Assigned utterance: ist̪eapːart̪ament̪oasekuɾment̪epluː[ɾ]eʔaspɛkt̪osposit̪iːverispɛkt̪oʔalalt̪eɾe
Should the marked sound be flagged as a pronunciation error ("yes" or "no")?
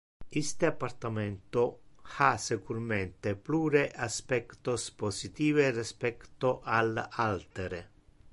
no